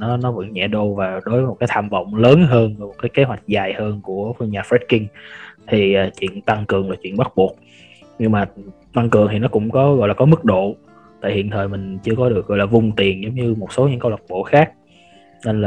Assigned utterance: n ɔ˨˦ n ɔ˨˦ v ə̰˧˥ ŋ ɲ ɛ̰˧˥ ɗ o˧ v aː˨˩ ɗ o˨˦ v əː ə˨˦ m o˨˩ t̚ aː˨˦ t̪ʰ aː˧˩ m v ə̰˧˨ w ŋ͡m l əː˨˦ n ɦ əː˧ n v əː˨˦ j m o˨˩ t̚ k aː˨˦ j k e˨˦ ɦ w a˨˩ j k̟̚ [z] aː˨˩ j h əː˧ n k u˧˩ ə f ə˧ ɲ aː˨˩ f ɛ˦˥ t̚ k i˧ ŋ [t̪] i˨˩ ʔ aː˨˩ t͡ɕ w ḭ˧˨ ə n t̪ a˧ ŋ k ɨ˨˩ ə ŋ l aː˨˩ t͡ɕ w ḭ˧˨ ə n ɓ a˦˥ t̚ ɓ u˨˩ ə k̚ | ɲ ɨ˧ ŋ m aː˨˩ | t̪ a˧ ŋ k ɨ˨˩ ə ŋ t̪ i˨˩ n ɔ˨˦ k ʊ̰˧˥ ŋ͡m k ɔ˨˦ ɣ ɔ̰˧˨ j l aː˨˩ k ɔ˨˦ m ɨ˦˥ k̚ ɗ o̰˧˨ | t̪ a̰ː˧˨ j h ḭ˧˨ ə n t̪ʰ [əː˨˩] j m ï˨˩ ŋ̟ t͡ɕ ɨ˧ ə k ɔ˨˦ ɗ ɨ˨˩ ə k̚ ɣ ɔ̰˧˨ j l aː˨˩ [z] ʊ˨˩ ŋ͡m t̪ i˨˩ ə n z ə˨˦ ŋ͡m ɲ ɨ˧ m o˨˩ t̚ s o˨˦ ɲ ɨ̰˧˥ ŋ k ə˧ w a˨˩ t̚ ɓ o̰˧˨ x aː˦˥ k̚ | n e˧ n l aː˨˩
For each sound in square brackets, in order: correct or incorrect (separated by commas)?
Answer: correct, incorrect, correct, incorrect